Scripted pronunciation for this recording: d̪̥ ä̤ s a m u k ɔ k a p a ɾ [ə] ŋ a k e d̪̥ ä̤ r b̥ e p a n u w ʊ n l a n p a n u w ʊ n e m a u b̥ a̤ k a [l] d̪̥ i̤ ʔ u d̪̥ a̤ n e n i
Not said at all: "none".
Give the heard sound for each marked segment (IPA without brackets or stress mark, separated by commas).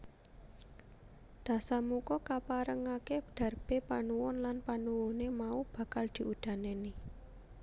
ə, l